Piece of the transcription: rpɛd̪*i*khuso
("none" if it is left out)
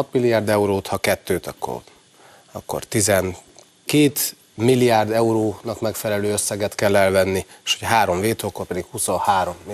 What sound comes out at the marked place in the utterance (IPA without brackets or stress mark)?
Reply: i